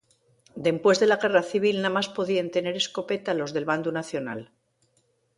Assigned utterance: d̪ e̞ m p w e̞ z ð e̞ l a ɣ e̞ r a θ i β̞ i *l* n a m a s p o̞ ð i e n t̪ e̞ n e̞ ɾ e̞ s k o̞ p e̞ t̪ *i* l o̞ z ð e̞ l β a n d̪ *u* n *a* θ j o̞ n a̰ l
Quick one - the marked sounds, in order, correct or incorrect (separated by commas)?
correct, incorrect, correct, correct